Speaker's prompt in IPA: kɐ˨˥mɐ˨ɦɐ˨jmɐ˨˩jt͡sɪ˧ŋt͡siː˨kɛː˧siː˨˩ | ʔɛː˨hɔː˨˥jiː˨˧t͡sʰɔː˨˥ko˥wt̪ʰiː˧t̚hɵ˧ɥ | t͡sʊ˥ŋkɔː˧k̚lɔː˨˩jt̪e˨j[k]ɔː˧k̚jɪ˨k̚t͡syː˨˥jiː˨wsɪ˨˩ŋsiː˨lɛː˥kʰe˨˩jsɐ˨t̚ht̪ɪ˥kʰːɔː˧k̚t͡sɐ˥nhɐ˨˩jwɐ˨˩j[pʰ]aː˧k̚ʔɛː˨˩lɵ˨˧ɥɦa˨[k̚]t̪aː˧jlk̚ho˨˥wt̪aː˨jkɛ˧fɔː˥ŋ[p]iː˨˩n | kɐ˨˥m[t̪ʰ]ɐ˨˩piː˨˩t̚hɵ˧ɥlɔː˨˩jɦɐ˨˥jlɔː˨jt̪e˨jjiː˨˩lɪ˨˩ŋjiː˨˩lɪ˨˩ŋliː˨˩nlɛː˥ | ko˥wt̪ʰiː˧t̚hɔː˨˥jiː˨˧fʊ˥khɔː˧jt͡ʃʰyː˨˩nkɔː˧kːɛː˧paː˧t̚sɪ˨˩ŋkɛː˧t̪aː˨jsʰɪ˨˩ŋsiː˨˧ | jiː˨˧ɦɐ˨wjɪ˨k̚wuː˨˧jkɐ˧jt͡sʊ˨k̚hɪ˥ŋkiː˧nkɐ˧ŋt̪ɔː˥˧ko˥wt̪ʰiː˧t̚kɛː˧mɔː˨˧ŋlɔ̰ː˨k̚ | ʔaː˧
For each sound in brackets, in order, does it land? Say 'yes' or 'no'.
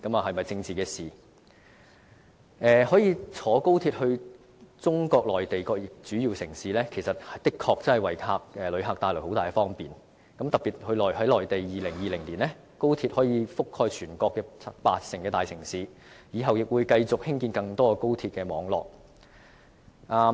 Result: yes, no, yes, yes, no

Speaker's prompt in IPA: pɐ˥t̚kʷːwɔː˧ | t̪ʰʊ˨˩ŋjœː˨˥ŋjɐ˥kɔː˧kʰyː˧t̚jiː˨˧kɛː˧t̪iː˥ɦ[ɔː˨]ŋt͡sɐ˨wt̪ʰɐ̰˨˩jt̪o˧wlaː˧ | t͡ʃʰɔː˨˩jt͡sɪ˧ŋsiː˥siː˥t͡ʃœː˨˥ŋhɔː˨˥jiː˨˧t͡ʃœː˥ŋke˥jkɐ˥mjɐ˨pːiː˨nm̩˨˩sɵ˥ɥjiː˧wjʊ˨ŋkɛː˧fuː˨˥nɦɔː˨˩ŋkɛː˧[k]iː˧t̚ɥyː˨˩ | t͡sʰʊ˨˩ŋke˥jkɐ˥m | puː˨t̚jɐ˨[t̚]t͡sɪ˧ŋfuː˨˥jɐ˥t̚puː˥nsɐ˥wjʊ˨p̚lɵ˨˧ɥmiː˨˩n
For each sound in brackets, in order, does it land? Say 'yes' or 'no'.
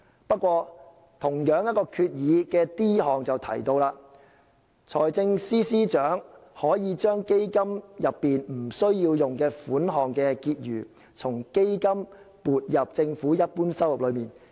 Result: yes, yes, no

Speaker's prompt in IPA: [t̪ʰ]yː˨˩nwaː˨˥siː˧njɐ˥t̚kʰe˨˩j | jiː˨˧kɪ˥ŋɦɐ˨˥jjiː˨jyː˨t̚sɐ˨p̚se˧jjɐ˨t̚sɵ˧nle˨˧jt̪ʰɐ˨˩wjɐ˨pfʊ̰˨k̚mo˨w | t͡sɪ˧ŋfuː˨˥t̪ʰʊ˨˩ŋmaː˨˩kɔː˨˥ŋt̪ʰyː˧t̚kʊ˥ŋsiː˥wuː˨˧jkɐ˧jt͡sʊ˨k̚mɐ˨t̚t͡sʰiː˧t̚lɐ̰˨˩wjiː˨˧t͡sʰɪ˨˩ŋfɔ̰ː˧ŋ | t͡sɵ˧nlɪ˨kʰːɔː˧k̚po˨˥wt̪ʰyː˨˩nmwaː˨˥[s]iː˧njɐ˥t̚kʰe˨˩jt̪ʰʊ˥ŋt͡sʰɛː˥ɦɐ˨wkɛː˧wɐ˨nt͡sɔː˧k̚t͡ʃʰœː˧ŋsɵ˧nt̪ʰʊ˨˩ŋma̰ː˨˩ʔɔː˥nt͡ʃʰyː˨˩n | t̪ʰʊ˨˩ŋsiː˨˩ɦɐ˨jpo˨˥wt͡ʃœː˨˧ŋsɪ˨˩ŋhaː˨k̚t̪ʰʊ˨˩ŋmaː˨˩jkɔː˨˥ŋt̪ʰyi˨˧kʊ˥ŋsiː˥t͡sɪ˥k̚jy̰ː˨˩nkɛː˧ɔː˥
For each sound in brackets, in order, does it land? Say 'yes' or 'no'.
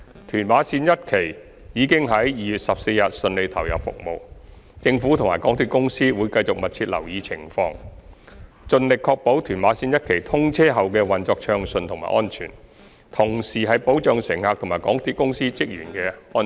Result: yes, yes

